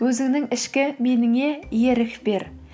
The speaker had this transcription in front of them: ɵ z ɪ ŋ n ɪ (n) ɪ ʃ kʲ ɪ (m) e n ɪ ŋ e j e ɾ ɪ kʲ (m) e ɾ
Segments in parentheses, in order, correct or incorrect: incorrect: ŋ, correct, incorrect: b

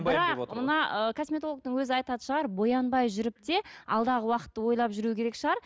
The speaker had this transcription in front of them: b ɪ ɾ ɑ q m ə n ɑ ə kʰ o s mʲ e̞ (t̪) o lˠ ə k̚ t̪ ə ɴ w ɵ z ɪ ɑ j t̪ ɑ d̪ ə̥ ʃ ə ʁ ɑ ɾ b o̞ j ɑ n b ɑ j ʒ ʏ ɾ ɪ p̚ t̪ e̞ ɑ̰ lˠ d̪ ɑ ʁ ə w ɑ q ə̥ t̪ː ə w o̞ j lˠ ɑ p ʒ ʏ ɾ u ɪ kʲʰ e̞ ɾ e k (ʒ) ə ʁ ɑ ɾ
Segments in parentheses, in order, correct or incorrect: correct, incorrect: ʃ

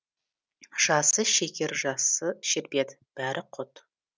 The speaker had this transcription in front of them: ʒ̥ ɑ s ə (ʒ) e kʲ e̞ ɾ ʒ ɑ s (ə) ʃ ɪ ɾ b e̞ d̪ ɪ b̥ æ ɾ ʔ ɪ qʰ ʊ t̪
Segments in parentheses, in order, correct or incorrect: incorrect: ʃ, correct

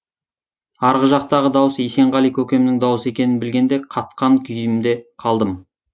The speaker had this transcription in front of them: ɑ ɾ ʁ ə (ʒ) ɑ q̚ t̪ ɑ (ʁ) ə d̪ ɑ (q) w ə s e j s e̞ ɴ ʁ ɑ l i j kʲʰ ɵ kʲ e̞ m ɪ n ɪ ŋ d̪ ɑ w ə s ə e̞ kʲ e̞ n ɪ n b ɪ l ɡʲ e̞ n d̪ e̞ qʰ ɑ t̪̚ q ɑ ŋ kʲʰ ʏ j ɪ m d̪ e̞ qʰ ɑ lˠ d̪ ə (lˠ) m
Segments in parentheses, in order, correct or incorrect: correct, correct, incorrect: none, incorrect: none

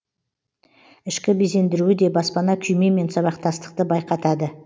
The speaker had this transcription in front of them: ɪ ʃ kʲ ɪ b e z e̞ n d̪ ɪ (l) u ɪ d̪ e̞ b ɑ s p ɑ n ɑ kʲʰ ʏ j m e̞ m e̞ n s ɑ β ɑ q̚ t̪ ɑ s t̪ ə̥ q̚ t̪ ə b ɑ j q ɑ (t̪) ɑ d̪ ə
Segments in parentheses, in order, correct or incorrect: incorrect: ɾ, correct

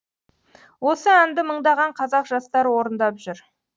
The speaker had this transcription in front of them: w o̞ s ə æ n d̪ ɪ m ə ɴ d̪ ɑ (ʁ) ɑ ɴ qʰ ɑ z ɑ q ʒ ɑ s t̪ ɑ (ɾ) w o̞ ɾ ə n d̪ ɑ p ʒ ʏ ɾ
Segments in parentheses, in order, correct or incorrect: correct, correct

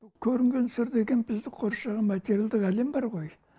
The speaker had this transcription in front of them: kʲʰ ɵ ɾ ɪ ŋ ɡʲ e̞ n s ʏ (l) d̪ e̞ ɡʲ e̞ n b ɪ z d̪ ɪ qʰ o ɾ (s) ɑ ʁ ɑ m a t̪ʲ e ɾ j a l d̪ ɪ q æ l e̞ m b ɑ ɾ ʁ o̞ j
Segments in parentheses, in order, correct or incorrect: incorrect: ɾ, incorrect: ʃ

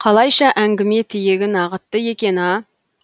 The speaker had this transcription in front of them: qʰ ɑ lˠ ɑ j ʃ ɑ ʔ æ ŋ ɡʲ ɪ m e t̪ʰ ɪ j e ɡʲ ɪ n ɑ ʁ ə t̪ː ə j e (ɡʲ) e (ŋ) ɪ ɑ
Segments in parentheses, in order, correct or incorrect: incorrect: kʲ, incorrect: n

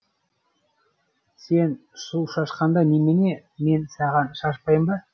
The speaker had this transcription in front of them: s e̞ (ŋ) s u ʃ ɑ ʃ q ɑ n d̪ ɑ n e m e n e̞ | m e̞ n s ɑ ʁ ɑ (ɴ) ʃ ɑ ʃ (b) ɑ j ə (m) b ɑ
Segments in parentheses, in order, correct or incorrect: incorrect: n, incorrect: n, incorrect: p, correct

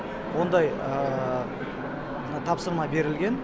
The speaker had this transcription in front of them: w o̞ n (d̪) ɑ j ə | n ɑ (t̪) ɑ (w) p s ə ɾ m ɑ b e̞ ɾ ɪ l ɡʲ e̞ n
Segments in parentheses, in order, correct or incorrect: correct, incorrect: t̪ʰ, incorrect: none

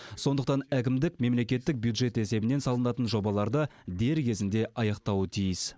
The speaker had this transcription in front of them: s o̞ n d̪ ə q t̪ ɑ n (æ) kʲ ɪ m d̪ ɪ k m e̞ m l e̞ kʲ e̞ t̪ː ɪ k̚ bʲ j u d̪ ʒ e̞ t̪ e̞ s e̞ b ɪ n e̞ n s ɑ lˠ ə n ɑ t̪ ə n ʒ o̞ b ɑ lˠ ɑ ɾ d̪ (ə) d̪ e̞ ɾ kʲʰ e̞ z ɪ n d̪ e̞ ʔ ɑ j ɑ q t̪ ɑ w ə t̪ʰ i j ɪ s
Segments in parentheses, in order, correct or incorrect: correct, correct

